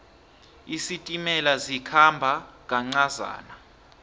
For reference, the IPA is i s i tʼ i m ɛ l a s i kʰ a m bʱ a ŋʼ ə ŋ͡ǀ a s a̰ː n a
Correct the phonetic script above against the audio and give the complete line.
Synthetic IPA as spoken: i s i tʼ i m ɛ l a z i kʰ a m bʱ a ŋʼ a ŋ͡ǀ a z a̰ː n a